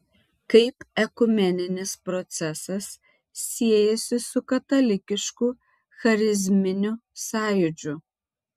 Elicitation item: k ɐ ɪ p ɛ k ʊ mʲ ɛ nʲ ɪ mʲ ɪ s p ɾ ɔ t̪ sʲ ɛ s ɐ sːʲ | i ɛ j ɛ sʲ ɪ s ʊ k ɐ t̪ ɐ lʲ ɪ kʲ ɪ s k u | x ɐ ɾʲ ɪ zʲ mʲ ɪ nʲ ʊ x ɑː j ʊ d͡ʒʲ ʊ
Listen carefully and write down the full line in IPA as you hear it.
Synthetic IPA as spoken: k ɐ ɪ p ɛ k ʊ mʲ ɛ nʲ ɪ nʲ ɪ s p ɾ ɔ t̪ sʲ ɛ s ɐ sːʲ | i ɛ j ɛ sʲ ɪ s ʊ k ɐ t̪ ɐ lʲ ɪ kʲ ɪ ʃ k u | x ɐ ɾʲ ɪ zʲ mʲ ɪ nʲ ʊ s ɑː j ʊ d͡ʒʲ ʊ